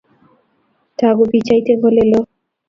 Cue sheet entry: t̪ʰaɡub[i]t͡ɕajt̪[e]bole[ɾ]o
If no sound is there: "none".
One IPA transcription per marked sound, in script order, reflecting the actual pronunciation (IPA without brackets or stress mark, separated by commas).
i, e, l